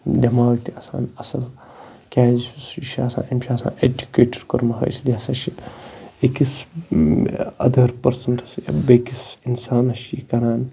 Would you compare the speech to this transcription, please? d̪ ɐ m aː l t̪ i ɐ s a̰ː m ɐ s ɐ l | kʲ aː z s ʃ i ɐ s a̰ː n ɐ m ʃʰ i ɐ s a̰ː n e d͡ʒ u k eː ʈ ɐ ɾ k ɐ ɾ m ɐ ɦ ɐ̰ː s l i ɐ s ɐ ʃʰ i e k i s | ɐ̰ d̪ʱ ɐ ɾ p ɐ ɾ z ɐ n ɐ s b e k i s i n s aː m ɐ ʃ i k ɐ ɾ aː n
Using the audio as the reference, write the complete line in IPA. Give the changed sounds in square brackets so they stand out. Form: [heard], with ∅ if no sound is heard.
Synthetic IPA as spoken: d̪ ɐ m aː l t̪ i ɐ s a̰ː [n] ɐ s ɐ l | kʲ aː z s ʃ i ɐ s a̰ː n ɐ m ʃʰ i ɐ s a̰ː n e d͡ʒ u k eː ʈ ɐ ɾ k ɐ ɾ m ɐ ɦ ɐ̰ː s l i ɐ s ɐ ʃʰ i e k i s | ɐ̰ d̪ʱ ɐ ɾ p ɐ ɾ [s] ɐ n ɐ s b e k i s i n s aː [n] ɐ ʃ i k ɐ ɾ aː n